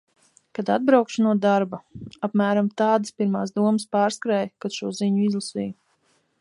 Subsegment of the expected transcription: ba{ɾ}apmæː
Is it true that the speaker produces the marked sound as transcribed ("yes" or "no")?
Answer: no